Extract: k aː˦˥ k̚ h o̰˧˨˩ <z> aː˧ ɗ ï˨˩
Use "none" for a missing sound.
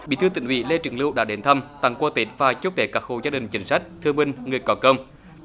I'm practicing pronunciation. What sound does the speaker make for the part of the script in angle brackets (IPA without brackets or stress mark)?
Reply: z